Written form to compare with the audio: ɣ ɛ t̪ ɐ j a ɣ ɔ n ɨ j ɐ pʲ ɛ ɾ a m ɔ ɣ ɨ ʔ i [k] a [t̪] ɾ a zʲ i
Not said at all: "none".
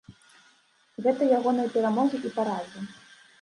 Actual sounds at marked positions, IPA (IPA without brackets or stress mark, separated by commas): p, none